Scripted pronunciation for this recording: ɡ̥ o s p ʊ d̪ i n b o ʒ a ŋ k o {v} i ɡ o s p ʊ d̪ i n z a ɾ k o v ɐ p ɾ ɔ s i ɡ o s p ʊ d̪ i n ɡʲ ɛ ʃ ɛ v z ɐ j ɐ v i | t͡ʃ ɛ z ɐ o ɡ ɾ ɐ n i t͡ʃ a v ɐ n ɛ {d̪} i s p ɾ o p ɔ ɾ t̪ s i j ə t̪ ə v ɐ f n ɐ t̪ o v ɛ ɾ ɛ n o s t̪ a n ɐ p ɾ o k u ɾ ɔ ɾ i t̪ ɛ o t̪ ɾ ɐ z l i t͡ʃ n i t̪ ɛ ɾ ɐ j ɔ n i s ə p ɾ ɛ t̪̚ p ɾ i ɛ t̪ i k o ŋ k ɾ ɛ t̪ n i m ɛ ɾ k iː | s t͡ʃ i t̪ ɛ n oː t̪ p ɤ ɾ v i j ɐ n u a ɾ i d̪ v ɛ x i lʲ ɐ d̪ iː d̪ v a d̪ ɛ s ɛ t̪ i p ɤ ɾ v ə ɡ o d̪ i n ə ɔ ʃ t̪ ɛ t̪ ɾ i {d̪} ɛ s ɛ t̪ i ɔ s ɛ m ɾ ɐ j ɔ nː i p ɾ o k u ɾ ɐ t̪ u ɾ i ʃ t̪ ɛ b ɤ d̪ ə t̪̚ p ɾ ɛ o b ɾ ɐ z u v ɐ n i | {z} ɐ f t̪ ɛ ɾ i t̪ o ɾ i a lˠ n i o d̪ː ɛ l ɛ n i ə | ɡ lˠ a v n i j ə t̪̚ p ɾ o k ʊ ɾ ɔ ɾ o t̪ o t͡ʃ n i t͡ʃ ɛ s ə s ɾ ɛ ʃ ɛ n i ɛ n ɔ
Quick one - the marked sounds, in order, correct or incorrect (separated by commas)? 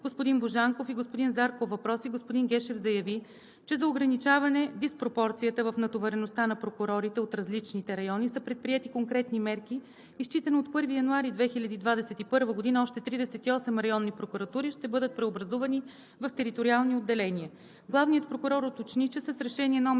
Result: incorrect, correct, correct, incorrect